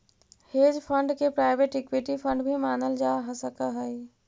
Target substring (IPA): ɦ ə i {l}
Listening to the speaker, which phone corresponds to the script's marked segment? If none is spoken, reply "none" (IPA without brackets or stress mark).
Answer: none